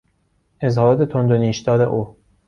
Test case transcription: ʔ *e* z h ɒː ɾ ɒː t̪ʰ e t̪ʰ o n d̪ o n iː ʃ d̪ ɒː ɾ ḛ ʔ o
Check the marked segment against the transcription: correct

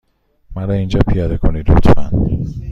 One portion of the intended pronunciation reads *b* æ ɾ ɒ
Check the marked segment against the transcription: incorrect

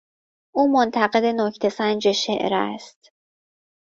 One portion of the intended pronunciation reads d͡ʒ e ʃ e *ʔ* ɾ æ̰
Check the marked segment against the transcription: correct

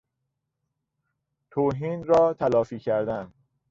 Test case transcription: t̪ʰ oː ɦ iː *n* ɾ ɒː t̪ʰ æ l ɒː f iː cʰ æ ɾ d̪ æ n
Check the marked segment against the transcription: correct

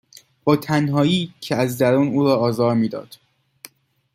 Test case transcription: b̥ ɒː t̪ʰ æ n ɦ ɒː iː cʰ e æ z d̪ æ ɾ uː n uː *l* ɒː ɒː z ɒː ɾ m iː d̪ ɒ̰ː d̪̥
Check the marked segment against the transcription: incorrect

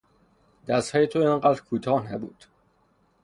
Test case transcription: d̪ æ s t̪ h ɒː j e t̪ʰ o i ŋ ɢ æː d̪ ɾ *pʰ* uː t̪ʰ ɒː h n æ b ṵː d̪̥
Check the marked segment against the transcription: incorrect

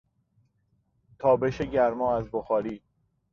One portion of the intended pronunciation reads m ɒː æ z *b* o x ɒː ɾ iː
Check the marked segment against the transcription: correct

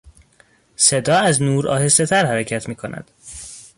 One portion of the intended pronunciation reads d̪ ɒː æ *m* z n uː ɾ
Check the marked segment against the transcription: incorrect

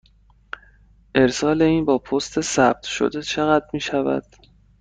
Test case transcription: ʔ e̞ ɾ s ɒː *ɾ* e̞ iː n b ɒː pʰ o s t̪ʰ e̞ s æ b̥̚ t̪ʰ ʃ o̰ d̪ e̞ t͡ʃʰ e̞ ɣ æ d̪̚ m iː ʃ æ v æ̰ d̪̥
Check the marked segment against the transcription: incorrect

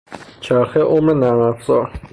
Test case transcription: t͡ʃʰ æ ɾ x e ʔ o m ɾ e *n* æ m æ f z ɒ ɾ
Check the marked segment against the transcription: correct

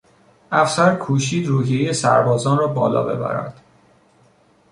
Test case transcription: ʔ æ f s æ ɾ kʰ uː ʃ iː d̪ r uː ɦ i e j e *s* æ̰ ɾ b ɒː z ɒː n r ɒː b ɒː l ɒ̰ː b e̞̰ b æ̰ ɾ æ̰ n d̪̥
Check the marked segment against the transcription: correct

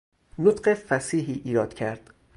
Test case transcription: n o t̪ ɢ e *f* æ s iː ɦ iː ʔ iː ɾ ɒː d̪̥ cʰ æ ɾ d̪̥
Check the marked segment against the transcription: correct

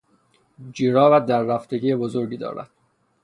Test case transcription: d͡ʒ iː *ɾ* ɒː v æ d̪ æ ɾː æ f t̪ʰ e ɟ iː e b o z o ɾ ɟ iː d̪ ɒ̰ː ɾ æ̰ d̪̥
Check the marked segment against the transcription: correct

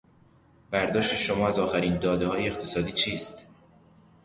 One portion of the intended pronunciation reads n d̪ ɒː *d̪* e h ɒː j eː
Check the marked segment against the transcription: correct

